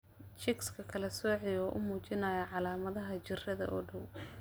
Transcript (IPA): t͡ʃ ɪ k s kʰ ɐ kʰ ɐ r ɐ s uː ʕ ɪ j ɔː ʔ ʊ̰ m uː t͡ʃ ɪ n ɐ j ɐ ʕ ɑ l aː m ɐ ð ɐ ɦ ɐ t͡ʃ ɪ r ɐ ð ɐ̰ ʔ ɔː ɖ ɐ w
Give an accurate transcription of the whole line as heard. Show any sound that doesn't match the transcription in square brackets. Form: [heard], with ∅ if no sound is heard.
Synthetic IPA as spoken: t͡ʃ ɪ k s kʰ ɐ kʰ ɐ [l] ɐ s [ɔː] ʕ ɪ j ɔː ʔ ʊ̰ m uː t͡ʃ ɪ n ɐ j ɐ ʕ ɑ l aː m ɐ ð ɐ ɦ ɐ t͡ʃ ɪ r ɐ ð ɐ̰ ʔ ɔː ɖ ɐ w